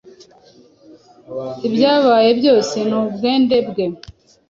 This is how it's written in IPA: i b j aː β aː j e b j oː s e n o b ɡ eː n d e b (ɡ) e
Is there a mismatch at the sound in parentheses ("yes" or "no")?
no